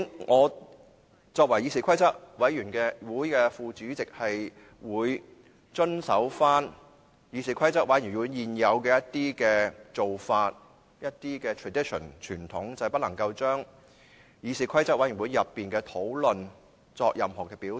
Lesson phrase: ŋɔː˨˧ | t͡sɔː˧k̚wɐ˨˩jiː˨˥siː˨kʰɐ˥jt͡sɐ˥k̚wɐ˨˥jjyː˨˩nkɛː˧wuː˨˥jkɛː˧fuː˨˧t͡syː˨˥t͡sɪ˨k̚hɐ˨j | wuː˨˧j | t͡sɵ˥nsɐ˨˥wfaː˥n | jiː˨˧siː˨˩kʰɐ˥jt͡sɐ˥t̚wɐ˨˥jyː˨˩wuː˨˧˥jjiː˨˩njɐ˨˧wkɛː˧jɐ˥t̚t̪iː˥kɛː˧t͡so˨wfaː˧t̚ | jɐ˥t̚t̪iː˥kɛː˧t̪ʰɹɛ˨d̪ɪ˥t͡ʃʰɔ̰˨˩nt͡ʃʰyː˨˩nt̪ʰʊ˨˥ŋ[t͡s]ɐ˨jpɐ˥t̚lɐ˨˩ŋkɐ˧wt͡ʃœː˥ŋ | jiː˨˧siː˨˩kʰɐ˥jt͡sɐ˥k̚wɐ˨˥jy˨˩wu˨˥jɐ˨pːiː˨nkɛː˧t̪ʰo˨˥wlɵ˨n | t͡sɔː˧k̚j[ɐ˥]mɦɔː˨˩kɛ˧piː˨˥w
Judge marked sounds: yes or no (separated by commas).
yes, no